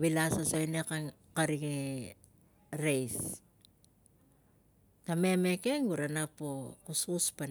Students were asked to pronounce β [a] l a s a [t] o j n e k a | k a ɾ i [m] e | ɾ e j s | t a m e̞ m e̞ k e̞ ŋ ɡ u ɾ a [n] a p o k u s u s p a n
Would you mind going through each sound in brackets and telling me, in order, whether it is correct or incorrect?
incorrect: i, incorrect: s, incorrect: ŋ, correct

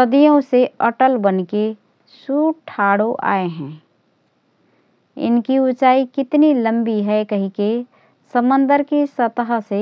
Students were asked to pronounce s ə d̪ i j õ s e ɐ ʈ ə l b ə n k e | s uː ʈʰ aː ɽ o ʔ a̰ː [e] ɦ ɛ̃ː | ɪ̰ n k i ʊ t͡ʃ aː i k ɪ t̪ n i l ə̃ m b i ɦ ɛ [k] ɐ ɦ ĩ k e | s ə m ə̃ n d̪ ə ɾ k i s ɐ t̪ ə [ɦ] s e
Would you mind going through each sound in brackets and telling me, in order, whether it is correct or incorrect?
correct, correct, correct

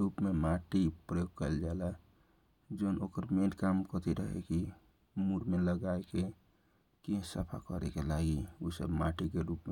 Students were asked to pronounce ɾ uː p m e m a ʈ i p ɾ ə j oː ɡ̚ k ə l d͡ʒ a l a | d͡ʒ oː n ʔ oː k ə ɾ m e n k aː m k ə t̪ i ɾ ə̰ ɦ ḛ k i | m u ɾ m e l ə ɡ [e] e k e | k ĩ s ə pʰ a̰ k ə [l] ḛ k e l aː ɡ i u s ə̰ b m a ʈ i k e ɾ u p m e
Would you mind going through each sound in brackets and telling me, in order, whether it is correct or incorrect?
incorrect: a, incorrect: ɾ

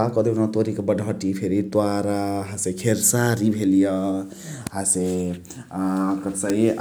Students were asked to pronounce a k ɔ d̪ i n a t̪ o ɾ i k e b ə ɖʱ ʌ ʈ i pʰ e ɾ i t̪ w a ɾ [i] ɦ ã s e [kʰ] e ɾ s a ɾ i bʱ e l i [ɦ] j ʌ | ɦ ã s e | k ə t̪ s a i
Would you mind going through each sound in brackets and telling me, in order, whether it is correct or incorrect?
incorrect: a, correct, incorrect: none

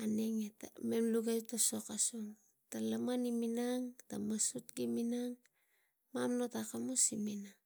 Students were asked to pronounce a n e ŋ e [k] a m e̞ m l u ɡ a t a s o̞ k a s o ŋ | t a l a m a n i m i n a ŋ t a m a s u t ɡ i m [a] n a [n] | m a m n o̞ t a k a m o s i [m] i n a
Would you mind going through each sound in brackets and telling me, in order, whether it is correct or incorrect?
incorrect: t, incorrect: i, incorrect: ŋ, correct

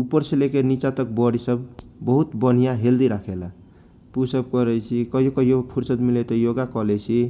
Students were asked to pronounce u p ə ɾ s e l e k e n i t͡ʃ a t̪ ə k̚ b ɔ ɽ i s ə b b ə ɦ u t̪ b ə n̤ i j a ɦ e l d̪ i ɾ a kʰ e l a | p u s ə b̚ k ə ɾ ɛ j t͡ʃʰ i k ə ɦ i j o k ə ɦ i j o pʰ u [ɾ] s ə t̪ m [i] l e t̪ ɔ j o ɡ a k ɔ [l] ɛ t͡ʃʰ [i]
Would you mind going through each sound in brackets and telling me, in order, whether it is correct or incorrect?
correct, correct, correct, correct

